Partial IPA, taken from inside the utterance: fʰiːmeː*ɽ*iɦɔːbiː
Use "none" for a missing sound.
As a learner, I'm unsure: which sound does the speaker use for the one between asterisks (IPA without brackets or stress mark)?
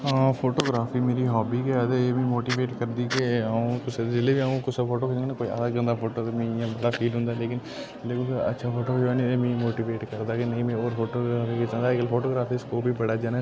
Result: ɾ